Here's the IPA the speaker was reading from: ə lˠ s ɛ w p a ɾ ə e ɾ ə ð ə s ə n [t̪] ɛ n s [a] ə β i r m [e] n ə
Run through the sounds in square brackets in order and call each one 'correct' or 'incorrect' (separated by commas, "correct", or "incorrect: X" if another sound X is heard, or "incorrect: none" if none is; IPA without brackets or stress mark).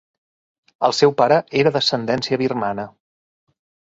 incorrect: d̪, incorrect: i, incorrect: a